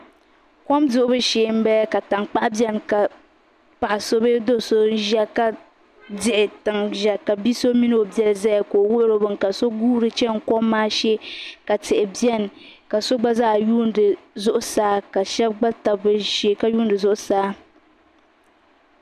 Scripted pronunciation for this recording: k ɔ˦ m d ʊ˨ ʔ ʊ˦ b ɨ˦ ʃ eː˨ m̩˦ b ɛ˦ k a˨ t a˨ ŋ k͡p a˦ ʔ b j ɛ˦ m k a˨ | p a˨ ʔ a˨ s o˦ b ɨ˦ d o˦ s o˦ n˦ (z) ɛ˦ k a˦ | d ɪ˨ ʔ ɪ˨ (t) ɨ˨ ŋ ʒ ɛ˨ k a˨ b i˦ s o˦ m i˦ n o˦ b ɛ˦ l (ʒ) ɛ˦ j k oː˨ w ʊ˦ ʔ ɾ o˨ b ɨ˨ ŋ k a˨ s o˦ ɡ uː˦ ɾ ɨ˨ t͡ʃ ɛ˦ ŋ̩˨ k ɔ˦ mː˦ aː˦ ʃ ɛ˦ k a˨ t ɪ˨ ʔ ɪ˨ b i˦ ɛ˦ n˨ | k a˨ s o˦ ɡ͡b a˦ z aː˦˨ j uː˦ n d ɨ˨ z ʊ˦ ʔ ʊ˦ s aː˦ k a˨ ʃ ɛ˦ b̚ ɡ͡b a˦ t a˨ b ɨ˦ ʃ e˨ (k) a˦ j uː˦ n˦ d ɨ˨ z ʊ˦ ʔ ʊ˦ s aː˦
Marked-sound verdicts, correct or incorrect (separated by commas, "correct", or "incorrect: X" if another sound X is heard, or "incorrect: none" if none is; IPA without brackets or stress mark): incorrect: ʒ, correct, incorrect: z, correct